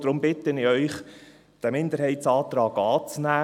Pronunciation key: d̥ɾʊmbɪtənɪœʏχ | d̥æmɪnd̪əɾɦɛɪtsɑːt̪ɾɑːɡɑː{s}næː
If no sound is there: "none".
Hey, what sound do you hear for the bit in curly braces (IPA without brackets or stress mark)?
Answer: t͡s